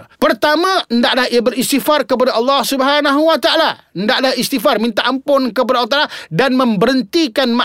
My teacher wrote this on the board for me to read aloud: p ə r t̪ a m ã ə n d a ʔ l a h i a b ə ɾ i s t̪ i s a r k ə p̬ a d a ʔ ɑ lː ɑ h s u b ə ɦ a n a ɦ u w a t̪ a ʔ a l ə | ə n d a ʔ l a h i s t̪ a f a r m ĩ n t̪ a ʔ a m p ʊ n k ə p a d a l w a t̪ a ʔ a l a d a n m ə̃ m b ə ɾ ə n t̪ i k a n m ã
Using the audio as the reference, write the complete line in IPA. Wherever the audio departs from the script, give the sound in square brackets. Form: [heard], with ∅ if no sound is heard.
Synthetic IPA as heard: p ə r t̪ a m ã ə n d a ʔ l a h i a b ə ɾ i s t̪ i [f] a r k ə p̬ a d a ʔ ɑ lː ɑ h s u b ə ɦ a n a ɦ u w a t̪ a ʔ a l [a] | ə n d a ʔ l a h i s t̪ [i] f a r m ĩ n t̪ a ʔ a m p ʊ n k ə p a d a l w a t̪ a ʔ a l a d a n m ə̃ m b ə ɾ ə n t̪ i k a n m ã